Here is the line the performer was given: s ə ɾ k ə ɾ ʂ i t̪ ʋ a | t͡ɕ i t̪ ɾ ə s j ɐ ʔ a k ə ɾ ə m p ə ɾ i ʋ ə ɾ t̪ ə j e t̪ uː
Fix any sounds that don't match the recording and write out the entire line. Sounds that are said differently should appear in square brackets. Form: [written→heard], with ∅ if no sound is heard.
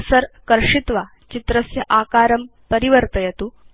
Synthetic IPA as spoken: s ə ɾ k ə ɾ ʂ i t̪ ʋ a | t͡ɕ i t̪ ɾ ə s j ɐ ʔ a k [ə→a] ɾ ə m p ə ɾ i ʋ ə ɾ t̪ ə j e t̪ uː

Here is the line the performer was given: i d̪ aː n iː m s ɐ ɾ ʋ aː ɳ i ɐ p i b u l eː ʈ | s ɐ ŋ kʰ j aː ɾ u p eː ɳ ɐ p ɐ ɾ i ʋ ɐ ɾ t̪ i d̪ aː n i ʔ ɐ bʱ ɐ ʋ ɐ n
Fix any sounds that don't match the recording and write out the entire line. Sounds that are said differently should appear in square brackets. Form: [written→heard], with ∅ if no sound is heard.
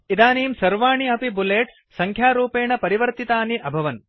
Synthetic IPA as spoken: i d̪ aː n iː m s ɐ ɾ ʋ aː ɳ i ɐ p i b u l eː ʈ | s ɐ ŋ kʰ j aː ɾ [u→uː] p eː ɳ ɐ p ɐ ɾ i ʋ ɐ ɾ t̪ i [d̪→t̪] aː n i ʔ ɐ bʱ ɐ ʋ ɐ n

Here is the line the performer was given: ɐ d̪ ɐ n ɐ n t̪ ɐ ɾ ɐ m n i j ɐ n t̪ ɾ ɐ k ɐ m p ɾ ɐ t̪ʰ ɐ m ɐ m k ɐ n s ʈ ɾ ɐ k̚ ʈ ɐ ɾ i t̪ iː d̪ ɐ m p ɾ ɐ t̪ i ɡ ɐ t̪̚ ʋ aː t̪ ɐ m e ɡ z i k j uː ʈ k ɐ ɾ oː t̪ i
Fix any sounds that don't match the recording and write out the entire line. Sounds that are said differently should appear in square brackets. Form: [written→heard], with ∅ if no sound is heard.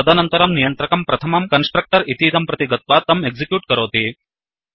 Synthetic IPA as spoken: ɐ d̪ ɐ n ɐ n t̪ ɐ ɾ ɐ m n i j ɐ n t̪ ɾ ɐ k ɐ m p ɾ ɐ t̪ʰ ɐ m ɐ m k ɐ n s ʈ ɾ ɐ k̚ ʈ ɐ ɾ i t̪ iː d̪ ɐ m p ɾ ɐ t̪ i ɡ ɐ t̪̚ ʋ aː t̪ ɐ m e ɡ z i k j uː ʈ k ɐ ɾ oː t̪ i

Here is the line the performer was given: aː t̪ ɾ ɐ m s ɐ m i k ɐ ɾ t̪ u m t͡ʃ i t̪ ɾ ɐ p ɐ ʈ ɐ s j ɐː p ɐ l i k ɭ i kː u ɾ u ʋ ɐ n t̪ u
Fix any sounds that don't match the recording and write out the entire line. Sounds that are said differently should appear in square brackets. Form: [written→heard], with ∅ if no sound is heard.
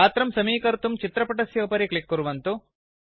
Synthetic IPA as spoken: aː t̪ ɾ ɐ m s ɐ m [i→iː] k ɐ ɾ t̪ u m t͡ʃ i t̪ ɾ ɐ p ɐ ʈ ɐ s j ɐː p ɐ [l→ɾ] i k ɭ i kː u ɾ u ʋ ɐ n t̪ u

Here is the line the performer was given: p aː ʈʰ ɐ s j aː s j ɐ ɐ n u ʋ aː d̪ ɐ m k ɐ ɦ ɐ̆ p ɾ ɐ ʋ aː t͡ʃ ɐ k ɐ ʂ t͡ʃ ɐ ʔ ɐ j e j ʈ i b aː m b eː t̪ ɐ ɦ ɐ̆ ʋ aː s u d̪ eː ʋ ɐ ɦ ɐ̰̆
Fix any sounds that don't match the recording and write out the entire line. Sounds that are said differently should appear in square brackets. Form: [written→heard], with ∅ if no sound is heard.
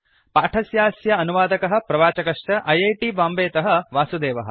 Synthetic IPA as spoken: p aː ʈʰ ɐ s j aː s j ɐ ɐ n u ʋ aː d̪ ɐ [m→∅] k ɐ ɦ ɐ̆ p ɾ ɐ ʋ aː t͡ʃ ɐ k ɐ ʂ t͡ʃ ɐ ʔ ɐ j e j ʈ i b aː m b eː t̪ ɐ ɦ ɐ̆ ʋ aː s u d̪ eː ʋ ɐ ɦ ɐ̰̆

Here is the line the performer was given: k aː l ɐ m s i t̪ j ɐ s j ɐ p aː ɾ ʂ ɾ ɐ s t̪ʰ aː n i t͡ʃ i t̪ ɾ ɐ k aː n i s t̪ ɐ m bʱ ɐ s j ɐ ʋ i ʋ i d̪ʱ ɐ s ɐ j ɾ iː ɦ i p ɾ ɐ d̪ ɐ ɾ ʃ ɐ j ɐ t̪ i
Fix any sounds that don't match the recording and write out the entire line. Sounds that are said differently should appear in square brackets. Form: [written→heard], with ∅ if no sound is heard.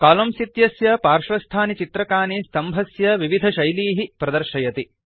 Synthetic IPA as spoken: k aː l ɐ m s i t̪ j ɐ s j ɐ p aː ɾ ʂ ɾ ɐ s t̪ʰ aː n i t͡ʃ i t̪ ɾ ɐ k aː n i s t̪ ɐ m bʱ ɐ s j ɐ ʋ i ʋ i d̪ʱ ɐ [s→ʃ] ɐ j [ɾ→l] iː ɦ i p ɾ ɐ d̪ ɐ ɾ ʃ ɐ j ɐ t̪ i

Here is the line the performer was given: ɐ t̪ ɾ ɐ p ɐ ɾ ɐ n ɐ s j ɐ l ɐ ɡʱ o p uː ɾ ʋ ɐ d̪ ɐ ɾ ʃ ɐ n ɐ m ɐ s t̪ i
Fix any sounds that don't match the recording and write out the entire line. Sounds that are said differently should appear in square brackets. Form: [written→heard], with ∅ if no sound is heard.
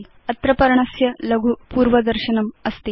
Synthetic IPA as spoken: ɐ t̪ ɾ ɐ p ɐ ɾ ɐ [n→ɳ] ɐ s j ɐ l ɐ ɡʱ [o→u] p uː ɾ ʋ ɐ d̪ ɐ ɾ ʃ ɐ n ɐ m ɐ s t̪ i

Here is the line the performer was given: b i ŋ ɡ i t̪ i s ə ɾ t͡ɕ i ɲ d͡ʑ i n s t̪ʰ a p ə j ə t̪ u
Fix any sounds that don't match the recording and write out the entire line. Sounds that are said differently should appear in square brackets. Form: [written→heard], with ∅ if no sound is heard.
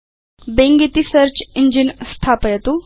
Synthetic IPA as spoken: b [i→e] ŋ ɡ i t̪ i s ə ɾ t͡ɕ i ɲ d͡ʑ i n s t̪ʰ a p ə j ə t̪ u

